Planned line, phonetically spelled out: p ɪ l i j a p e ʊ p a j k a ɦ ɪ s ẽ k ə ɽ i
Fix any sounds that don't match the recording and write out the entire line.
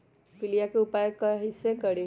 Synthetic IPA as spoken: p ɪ l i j a k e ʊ p a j k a ɦ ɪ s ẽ k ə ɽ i